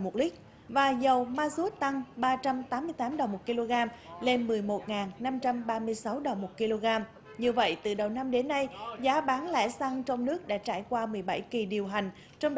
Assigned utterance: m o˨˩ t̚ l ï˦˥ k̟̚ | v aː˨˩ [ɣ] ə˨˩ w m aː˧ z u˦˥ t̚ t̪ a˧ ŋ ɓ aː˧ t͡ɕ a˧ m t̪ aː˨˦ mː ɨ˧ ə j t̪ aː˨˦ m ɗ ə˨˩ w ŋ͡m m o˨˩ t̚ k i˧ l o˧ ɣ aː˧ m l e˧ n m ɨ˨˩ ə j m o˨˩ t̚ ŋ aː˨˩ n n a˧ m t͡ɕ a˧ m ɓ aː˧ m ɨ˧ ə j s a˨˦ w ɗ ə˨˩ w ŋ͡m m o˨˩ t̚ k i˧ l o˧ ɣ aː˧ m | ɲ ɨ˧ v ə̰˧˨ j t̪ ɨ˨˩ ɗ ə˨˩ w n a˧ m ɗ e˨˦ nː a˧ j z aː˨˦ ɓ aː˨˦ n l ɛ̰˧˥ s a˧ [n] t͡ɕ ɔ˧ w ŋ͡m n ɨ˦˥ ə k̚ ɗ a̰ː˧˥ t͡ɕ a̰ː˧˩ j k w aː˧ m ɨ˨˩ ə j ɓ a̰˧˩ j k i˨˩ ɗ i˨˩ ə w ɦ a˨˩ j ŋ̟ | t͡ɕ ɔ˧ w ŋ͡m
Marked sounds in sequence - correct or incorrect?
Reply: incorrect: z, incorrect: ŋ

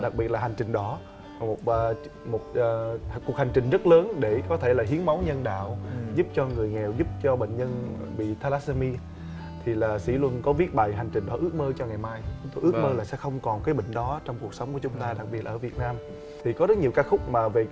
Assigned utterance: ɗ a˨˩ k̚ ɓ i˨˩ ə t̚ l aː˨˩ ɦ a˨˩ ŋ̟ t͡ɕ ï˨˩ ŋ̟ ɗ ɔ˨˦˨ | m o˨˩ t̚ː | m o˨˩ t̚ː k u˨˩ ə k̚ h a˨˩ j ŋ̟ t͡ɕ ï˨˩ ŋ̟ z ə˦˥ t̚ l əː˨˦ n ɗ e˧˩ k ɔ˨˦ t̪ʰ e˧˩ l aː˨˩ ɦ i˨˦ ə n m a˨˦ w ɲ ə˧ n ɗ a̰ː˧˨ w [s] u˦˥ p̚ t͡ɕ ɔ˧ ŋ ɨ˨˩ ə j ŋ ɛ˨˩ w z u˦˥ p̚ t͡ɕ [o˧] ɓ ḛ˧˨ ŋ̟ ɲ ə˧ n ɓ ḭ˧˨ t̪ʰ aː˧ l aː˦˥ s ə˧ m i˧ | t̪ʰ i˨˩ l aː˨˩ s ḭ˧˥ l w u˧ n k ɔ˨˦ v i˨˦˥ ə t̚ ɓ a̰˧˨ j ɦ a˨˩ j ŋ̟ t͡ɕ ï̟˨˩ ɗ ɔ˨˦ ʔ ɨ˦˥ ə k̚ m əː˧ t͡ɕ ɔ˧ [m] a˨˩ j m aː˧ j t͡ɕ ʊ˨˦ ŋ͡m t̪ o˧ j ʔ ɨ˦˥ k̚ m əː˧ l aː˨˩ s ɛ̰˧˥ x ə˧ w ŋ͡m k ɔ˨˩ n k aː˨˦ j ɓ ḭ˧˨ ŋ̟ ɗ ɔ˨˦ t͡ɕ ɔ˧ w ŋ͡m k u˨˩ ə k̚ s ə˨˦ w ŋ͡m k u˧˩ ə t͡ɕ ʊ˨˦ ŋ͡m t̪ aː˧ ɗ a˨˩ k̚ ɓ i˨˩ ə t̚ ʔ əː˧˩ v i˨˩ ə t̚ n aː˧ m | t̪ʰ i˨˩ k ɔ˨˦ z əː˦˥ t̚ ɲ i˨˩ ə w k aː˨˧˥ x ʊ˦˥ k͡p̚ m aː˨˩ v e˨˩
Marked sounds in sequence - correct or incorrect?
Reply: incorrect: z, incorrect: ɔ˧, incorrect: ŋ

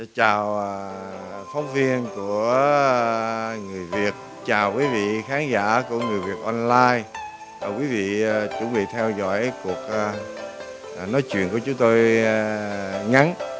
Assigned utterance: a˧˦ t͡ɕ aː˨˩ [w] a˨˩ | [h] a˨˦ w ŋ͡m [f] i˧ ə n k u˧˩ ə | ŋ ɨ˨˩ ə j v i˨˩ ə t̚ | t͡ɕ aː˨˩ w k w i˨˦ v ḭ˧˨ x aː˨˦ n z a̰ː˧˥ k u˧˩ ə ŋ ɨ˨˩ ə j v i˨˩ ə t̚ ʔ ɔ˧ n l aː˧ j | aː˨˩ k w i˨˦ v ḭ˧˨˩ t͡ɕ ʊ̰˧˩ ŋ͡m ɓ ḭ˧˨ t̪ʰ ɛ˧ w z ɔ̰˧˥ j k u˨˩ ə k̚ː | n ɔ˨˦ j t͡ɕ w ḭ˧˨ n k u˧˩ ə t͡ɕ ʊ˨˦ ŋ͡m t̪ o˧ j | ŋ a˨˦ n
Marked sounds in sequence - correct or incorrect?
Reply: correct, incorrect: f, incorrect: v

